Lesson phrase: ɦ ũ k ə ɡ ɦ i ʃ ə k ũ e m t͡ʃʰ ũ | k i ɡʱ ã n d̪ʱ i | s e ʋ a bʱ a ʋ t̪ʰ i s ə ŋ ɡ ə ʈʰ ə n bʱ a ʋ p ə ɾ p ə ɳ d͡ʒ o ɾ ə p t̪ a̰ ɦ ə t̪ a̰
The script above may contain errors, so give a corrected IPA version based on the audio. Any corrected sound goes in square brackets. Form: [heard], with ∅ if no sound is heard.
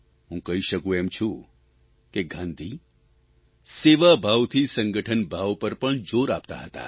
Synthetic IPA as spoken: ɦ ũ k ə [∅] ɦ i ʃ ə k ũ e m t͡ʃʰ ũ | k [e] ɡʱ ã n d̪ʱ i | s e ʋ a bʱ a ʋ t̪ʰ i s ə ŋ ɡ ə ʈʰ ə n bʱ a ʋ p ə ɾ p ə ɳ d͡ʒ o ɾ [a] p t̪ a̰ ɦ ə t̪ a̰